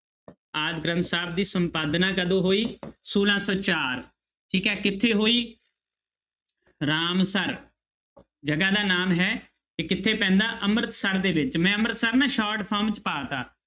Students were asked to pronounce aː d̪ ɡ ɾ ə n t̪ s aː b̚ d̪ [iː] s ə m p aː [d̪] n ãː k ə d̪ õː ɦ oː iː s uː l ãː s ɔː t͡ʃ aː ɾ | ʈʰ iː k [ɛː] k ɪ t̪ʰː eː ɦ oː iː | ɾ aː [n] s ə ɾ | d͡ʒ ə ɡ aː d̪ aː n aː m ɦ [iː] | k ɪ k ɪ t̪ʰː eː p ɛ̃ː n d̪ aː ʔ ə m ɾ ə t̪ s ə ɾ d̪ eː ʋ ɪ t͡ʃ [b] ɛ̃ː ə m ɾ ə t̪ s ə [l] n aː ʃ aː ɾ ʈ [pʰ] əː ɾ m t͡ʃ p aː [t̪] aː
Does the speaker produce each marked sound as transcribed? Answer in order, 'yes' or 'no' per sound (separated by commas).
yes, yes, yes, no, no, no, no, yes, yes